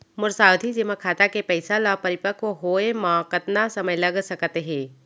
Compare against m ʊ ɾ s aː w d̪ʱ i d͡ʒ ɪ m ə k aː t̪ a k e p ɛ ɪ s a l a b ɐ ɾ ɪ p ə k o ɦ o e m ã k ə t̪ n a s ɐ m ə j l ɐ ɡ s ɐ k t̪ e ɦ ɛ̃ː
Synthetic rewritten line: m ʊ ɾ s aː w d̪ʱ i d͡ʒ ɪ m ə kʰ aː t̪ a k e p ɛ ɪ s a l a p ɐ ɾ ɪ p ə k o ɦ o e m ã k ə t̪ n a s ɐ m ə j l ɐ ɡ s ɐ k t̪ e ɦ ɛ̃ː